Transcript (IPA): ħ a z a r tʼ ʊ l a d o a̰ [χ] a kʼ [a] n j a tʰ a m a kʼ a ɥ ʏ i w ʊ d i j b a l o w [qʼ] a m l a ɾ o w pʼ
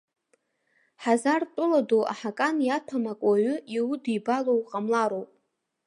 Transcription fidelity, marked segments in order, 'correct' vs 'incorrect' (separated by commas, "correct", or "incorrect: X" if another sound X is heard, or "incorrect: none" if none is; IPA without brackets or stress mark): incorrect: ħ, correct, correct